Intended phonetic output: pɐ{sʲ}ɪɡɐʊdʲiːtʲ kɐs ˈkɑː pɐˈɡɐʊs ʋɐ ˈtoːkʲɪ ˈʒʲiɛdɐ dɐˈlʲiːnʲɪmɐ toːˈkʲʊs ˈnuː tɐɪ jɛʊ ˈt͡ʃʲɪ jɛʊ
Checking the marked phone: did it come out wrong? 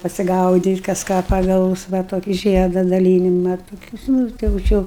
no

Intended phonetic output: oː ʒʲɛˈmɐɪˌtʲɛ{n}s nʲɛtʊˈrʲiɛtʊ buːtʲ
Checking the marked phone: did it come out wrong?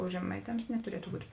yes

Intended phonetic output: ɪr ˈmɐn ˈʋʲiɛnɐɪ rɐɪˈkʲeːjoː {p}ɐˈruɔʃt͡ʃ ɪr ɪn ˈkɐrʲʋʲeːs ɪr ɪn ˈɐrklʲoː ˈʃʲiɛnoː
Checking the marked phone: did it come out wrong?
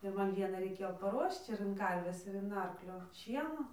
no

